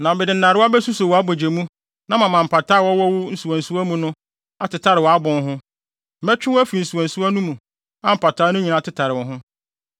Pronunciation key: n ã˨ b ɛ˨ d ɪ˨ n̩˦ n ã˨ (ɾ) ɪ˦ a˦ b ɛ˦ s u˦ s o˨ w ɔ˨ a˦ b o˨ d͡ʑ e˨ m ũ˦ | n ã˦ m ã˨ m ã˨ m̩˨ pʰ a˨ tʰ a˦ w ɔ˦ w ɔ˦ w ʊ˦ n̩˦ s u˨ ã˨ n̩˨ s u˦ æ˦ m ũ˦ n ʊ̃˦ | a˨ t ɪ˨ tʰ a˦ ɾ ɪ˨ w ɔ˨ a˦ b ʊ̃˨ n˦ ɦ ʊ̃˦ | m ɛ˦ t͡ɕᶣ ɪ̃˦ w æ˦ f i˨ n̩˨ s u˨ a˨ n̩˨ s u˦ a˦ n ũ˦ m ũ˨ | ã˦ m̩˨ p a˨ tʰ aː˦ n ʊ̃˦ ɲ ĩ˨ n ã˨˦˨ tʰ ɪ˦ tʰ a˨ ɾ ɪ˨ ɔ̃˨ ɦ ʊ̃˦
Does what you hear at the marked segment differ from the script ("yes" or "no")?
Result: no